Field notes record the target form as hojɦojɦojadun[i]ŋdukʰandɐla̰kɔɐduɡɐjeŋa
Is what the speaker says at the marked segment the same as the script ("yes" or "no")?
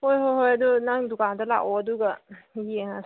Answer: no